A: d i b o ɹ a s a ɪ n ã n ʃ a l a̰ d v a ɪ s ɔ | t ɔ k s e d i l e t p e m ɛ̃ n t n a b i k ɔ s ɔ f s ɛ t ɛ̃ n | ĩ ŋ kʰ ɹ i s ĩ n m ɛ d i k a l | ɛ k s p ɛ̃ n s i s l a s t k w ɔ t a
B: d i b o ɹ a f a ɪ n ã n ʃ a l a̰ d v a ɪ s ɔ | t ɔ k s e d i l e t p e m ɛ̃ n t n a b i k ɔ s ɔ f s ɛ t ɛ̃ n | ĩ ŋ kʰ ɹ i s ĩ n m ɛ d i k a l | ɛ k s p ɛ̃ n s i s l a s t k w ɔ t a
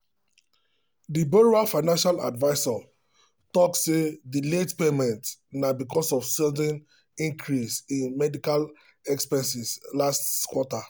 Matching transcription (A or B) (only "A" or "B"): B